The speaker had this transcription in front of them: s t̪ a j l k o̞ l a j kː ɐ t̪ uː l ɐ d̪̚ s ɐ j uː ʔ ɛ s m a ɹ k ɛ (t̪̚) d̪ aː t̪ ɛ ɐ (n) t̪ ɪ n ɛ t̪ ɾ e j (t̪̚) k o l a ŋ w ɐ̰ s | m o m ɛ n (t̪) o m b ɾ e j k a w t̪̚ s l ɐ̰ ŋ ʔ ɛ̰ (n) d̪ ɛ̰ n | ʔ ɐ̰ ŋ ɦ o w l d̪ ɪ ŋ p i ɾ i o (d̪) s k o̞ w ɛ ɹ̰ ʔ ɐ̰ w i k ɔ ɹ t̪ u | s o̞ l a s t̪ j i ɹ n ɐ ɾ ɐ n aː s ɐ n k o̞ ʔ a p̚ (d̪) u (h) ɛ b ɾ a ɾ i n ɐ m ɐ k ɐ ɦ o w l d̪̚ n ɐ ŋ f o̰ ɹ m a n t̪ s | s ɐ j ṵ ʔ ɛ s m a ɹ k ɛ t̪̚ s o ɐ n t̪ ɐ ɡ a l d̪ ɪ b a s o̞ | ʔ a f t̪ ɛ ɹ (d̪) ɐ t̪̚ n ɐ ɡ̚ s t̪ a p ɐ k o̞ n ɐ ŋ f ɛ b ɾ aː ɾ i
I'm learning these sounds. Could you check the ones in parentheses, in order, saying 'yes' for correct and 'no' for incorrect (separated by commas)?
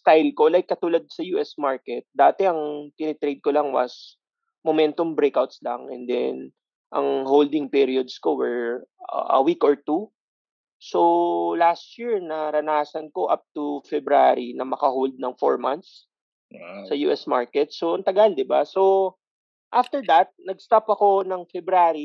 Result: yes, no, no, yes, yes, yes, no, no, yes